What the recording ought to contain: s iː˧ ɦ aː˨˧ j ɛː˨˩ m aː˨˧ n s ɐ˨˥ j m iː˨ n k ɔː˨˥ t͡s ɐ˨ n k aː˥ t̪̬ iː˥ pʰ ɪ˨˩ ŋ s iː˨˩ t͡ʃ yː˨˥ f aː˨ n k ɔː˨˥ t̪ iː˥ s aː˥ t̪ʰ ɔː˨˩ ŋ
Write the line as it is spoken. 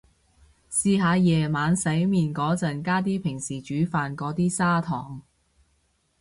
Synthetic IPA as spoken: s iː˧ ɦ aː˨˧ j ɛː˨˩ m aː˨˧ n s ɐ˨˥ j m iː˨ n k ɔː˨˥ t͡s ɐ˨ n k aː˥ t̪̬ iː˥ pʰ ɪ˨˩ ŋ s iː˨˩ t͡ʃ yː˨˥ f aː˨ n k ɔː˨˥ t̪ iː˥ s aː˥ t̪ʰ ɔː˨˩ ŋ